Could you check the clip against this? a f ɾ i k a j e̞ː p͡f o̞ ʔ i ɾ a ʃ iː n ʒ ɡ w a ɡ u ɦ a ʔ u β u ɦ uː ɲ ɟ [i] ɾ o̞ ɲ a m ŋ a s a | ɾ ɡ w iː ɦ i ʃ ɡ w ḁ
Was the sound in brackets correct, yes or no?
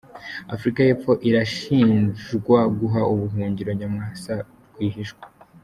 yes